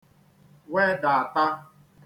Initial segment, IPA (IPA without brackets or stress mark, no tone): w